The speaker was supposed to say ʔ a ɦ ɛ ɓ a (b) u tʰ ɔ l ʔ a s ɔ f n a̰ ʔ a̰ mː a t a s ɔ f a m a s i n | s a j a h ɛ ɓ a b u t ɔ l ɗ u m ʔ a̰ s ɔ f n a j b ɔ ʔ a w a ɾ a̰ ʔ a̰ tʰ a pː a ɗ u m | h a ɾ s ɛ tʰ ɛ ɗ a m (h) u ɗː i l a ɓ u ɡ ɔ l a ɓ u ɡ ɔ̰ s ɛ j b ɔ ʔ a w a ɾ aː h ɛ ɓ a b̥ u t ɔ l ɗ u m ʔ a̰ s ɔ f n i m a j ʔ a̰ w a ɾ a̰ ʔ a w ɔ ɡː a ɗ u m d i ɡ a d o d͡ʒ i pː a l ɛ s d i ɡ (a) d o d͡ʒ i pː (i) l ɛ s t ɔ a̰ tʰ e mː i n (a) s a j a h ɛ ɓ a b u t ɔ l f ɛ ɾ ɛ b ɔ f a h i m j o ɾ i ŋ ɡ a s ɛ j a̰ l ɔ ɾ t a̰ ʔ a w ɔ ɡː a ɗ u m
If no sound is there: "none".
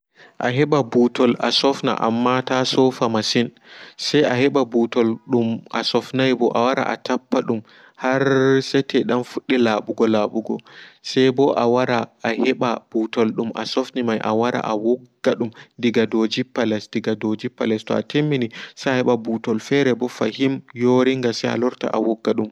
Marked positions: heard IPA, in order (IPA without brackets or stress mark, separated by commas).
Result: b, f, a, a, i